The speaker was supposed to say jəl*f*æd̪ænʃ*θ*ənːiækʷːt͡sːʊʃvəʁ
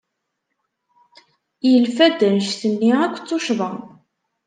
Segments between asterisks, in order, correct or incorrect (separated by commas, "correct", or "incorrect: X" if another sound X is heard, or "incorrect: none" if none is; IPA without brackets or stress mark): correct, correct